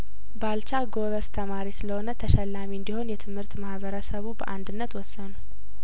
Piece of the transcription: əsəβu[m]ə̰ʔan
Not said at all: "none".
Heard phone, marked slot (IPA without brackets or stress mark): b